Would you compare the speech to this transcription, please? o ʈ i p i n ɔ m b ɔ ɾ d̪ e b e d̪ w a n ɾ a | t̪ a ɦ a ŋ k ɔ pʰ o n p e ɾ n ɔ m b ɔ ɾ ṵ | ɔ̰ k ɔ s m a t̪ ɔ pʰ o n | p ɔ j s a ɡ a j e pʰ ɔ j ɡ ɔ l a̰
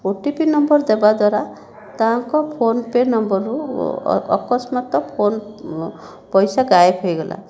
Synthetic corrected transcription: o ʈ i p i n ɔ m b ɔ ɾ d̪ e b a d̪ w a ɾ a | t̪ a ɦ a ŋ k ɔ pʰ o n p e ɾ n ɔ m b ɔ ɾ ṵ | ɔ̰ k ɔ s m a t̪ ɔ pʰ o n | p ɔ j s a ɡ a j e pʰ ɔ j ɡ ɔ l a̰

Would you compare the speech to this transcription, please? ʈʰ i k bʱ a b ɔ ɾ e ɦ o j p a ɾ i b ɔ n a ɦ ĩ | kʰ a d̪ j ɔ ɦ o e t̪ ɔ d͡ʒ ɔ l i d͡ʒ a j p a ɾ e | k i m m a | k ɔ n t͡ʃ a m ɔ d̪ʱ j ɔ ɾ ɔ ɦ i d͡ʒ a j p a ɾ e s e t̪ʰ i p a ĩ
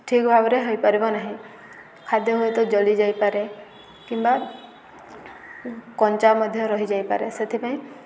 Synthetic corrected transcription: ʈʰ i k bʱ a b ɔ ɾ e ɦ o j p a ɾ i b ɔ n a ɦ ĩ | kʰ a d̪ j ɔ ɦ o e t̪ ɔ d͡ʒ ɔ l i d͡ʒ a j p a ɾ e | k i m b a | k ɔ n t͡ʃ a m ɔ d̪ʱ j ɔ ɾ ɔ ɦ i d͡ʒ a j p a ɾ e s e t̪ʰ i p a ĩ

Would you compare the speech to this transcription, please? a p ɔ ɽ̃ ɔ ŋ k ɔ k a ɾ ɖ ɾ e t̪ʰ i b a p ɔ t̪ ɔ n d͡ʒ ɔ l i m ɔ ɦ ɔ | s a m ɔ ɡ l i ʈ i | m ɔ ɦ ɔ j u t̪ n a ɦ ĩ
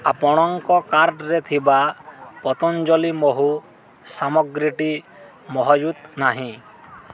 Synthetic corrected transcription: a p ɔ ɽ̃ ɔ ŋ k ɔ k a ɾ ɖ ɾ e t̪ʰ i b a p ɔ t̪ ɔ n d͡ʒ ɔ l i m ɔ ɦ u | s a m ɔ ɡ ɾ i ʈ i | m ɔ ɦ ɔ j u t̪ n a ɦ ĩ

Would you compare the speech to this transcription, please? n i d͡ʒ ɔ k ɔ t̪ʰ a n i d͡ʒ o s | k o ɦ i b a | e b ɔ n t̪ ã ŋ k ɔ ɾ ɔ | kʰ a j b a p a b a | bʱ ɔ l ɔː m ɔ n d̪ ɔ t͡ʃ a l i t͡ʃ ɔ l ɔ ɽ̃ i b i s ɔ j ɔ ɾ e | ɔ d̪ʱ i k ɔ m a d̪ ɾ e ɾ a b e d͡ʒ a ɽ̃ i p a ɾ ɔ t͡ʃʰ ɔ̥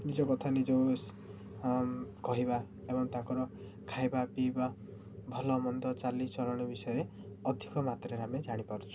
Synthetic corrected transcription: n i d͡ʒ ɔ k ɔ t̪ʰ a n i d͡ʒ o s | k ɔ ɦ i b a | e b ɔ ŋ t̪ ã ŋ k ɔ ɾ ɔ | kʰ a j b a p i b a | bʱ ɔ l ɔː m ɔ n d̪ ɔ t͡ʃ a l i t͡ʃ ɔ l ɔ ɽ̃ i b i s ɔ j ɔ ɾ e | ɔ d̪ʱ i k ɔ m a t̪ ɾ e ɾ a m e d͡ʒ a ɽ̃ i p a ɾ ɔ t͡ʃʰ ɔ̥

